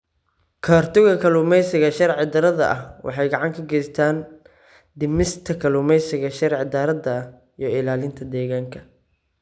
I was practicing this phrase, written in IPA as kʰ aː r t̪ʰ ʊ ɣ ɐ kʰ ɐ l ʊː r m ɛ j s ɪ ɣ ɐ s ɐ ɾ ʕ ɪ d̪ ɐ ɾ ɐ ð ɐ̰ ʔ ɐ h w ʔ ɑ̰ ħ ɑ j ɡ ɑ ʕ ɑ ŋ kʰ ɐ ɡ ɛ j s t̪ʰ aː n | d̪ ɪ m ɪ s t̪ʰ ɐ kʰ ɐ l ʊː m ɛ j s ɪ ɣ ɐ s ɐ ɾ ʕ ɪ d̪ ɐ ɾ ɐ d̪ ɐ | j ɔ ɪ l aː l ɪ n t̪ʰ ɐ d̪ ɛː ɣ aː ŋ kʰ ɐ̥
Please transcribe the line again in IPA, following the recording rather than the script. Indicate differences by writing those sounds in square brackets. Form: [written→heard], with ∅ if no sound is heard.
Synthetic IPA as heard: kʰ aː r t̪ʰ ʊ ɣ ɐ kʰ ɐ l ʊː [r→∅] m ɛ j s ɪ ɣ ɐ [s→ʃ] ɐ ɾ ʕ ɪ d̪ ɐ ɾ ɐ ð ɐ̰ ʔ ɐ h w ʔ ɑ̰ ħ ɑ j ɡ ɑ ʕ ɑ ŋ kʰ ɐ ɡ ɛ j s t̪ʰ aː n | d̪ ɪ m ɪ s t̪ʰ ɐ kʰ ɐ l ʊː m ɛ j s ɪ ɣ ɐ [s→ʃ] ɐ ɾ ʕ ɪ d̪ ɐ ɾ ɐ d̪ ɐ | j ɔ ɪ l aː l ɪ n t̪ʰ ɐ d̪ ɛː ɣ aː ŋ kʰ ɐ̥